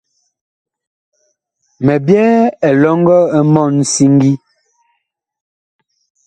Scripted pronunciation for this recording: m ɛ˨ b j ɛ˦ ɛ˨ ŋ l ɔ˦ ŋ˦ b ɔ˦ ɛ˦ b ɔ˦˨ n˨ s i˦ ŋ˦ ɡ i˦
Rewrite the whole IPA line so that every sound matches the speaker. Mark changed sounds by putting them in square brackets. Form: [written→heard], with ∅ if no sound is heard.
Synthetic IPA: m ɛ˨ b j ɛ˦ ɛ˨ [ŋ→∅] l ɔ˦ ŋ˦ [b→ɡ] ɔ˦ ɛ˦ [b→m] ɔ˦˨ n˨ s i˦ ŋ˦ ɡ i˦

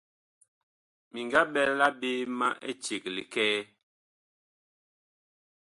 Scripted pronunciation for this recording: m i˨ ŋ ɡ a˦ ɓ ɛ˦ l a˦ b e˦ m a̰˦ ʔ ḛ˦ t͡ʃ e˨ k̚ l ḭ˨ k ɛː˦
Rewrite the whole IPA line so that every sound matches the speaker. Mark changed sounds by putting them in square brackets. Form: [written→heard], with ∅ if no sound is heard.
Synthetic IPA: m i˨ ŋ ɡ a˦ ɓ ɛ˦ l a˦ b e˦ m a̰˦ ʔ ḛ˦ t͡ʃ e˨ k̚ l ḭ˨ k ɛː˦

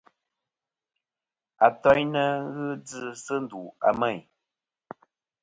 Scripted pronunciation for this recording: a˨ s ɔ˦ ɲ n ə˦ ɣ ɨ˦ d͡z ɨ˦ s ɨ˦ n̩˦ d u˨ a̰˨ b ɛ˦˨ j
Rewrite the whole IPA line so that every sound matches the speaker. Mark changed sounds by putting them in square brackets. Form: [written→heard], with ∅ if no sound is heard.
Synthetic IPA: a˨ [s→t] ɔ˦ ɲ n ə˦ ɣ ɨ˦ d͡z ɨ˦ s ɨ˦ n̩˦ d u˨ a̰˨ [b→m] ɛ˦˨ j

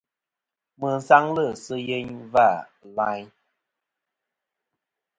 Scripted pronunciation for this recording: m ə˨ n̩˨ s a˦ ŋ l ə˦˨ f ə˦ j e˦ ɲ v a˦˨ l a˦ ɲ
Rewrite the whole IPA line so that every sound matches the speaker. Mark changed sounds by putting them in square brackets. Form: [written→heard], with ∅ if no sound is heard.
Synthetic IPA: m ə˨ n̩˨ s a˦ ŋ l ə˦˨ [f→s] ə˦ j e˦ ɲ v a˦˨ l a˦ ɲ

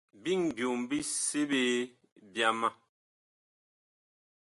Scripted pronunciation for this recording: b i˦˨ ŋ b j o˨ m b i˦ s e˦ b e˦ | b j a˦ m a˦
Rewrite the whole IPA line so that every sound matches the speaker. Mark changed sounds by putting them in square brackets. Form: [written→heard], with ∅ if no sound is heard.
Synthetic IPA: b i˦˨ ŋ b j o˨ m b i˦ s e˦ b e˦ | b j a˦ m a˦

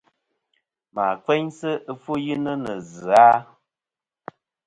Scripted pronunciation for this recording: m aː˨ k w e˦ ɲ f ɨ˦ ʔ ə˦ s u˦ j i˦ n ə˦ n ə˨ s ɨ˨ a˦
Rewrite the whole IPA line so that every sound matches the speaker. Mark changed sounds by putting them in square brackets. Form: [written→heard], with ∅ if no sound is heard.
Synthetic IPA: m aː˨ k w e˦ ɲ [f→s] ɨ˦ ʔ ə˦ [s→f] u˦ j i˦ n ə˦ n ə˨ [s→z] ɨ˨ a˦

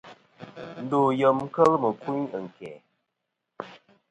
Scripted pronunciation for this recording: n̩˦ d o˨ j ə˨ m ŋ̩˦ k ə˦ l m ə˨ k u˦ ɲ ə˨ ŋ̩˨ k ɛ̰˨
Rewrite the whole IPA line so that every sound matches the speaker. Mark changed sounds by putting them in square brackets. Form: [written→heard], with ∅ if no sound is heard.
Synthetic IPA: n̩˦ d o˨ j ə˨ m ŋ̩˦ k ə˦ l m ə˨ k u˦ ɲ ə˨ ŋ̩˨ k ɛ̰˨

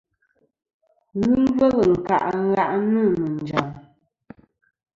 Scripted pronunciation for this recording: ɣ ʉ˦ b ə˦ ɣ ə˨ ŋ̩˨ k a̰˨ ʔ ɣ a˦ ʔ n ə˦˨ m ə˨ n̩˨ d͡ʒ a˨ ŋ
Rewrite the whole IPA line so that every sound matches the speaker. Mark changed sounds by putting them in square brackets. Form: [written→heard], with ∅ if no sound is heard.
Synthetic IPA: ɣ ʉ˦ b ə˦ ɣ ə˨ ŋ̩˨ k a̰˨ ʔ ɣ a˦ ʔ n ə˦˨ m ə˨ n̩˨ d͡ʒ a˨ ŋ

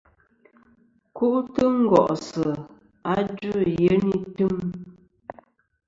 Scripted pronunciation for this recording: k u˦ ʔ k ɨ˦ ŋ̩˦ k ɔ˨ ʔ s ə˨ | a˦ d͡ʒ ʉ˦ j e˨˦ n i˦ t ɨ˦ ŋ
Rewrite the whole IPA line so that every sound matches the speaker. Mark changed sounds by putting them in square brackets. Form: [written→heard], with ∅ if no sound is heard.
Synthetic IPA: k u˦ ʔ [k→t] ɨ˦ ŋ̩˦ [k→ɡ] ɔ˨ ʔ s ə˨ | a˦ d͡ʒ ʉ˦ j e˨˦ n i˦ t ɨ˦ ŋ

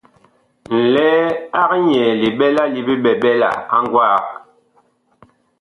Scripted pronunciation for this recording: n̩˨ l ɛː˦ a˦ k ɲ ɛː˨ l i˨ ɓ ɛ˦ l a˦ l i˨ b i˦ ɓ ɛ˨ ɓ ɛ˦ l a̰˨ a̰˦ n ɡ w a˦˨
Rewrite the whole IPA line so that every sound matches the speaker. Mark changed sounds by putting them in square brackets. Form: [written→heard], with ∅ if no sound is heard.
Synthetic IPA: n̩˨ l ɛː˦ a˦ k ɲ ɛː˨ l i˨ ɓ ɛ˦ l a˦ l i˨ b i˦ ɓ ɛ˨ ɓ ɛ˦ l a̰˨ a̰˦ [n→ŋ] ɡ w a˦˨

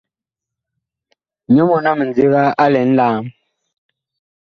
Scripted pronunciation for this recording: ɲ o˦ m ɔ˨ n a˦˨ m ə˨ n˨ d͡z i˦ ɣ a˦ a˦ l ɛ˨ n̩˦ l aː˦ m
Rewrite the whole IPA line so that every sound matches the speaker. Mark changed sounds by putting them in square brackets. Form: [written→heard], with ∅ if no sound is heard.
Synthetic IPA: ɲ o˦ m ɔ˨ n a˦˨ m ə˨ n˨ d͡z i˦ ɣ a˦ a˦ l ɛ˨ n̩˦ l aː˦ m

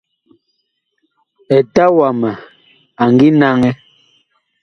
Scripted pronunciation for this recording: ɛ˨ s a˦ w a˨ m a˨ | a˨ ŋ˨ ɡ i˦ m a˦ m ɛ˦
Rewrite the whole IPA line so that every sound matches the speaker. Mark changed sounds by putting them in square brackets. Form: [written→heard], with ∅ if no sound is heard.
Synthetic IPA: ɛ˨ [s→t] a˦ w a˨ m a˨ | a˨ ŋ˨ ɡ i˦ [m→n] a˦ [m→ŋ] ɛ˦

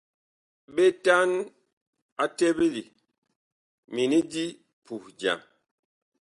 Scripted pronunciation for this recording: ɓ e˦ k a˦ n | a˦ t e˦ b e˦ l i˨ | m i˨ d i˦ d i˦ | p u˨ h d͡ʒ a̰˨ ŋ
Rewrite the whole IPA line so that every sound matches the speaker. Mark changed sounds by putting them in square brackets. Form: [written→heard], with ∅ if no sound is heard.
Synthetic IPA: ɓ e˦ [k→t] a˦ n | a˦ t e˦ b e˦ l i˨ | m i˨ [d→n] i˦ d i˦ | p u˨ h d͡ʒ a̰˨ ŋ

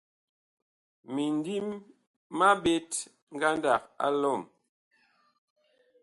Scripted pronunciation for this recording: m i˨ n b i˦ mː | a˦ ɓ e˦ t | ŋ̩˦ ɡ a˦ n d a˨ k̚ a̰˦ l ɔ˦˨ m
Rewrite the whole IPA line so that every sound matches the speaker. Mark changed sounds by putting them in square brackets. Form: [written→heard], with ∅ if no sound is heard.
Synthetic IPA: m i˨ n [b→d] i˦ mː | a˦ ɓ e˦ t | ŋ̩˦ ɡ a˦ n d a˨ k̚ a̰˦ l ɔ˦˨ m

